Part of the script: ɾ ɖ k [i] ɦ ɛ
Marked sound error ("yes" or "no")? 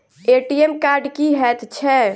no